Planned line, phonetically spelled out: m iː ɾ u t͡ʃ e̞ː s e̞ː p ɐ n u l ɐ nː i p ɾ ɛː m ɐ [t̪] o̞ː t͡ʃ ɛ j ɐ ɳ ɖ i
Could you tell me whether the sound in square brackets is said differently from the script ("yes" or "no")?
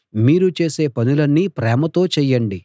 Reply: no